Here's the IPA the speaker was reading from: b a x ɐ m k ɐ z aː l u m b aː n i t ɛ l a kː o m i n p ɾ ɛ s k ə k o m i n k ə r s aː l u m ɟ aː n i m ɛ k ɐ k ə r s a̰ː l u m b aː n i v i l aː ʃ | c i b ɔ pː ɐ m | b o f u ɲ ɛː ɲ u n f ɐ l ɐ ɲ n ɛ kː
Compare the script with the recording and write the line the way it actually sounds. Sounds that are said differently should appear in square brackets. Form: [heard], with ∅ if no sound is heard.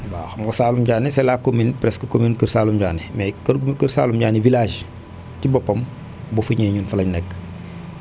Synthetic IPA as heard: b a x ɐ m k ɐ [s] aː l u m [ɟ] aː n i [s] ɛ l a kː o m i n p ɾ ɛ s k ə k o m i n k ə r s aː l u m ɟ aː n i m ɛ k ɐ k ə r s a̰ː l u m [ɟ] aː n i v i l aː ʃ | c i b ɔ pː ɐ m | b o f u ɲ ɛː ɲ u n f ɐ l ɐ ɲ n ɛ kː